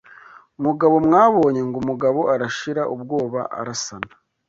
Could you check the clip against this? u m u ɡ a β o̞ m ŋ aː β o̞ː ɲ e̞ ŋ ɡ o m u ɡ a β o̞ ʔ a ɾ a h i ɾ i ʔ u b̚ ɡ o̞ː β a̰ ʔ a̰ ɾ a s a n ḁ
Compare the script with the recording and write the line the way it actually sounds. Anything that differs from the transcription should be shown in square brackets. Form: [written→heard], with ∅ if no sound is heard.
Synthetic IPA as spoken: u m u ɡ a β o̞ m ŋ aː β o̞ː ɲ e̞ ŋ ɡ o m u ɡ a β o̞ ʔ a ɾ a [h→ʃ] i ɾ [i→a] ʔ u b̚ ɡ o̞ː β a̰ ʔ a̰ ɾ a s a n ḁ